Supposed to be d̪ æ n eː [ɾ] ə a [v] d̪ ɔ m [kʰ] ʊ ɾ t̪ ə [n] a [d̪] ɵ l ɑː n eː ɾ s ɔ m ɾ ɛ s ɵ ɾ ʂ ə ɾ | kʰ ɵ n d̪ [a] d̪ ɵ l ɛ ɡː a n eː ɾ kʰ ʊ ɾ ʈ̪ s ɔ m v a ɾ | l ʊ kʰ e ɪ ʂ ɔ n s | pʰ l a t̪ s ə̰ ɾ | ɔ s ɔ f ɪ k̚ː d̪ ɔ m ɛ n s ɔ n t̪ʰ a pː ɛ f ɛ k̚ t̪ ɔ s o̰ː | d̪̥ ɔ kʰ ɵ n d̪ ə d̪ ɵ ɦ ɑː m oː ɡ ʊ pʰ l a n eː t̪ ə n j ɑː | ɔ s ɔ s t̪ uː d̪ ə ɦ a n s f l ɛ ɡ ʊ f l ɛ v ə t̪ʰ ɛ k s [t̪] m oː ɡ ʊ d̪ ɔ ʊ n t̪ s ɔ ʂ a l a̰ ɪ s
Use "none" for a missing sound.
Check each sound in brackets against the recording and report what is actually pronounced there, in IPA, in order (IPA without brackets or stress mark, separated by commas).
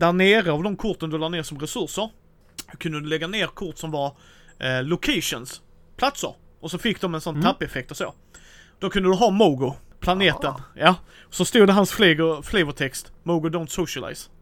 ɾ, v, kʰ, n, d̪, ə, t̪